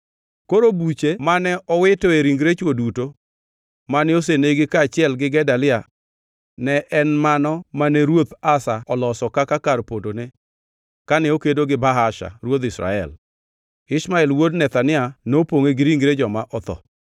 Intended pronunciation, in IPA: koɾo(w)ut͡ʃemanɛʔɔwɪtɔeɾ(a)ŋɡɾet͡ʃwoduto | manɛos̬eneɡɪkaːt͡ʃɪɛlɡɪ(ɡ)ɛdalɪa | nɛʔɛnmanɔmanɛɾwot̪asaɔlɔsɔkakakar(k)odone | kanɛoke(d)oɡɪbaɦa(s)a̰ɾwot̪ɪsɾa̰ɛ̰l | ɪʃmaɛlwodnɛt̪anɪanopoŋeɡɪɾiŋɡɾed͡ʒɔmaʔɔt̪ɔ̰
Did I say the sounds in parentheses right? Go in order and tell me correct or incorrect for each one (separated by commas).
incorrect, incorrect, correct, incorrect, correct, incorrect